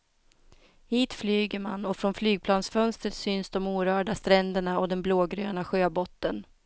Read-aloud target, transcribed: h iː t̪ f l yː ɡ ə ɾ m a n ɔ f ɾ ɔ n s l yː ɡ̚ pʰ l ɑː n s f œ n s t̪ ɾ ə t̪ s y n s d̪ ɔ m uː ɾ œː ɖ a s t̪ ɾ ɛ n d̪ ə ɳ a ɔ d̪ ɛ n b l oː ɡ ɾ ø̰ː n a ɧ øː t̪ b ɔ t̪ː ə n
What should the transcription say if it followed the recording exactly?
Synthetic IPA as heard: h iː t̪ f l yː ɡ ə ɾ m a n ɔ f ɾ ɔ n f l yː ɡ̚ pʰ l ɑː n s f œ n s t̪ ɾ ə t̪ s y n s d̪ ɔ m uː ɾ œː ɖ a s t̪ ɾ ɛ n d̪ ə ɳ a ɔ d̪ ɛ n b l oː ɡ ɾ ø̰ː n a ɧ øː b ɔ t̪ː ə n

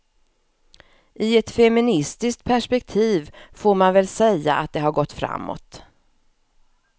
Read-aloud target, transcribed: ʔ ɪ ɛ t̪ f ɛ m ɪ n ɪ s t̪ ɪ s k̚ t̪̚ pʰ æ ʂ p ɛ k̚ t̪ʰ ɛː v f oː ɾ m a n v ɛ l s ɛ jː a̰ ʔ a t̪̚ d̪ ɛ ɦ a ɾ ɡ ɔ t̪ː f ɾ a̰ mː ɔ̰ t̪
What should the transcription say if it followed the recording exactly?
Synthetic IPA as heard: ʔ ɪ ɛ t̪ f ɛ m ɪ n ɪ s t̪ ɪ s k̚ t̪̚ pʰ æ ʂ p ɛ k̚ t̪ʰ iː v f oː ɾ m a n v ɛ l s ɛ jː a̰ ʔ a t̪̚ d̪ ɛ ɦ a ɾ ɡ ɔ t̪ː f ɾ a̰ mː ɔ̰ t̪

